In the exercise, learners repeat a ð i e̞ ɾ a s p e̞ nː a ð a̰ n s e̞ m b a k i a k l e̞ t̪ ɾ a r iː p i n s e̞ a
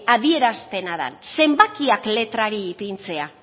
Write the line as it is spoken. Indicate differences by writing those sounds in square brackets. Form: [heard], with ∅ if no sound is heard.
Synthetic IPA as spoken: a ð i e̞ ɾ a s p e̞ [n] a ð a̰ n s e̞ m b a k i a k l e̞ t̪ ɾ a [ɾ] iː p i n [t͡s] e̞ a